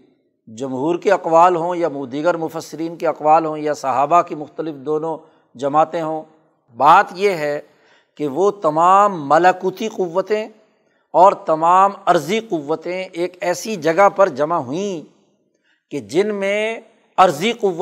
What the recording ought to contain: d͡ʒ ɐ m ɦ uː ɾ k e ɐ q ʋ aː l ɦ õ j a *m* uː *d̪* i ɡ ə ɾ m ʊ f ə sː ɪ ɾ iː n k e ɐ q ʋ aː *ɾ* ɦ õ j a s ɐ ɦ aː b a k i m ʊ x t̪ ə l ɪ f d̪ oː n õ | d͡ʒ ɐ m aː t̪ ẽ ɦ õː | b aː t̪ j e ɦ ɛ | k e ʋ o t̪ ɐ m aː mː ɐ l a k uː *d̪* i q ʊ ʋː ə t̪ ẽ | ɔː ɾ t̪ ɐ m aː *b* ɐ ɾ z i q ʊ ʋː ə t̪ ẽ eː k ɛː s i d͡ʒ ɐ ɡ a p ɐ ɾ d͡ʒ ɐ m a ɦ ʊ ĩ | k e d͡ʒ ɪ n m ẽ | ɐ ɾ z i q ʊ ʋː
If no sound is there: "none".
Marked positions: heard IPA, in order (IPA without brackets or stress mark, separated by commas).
m, d̪, l, t̪, m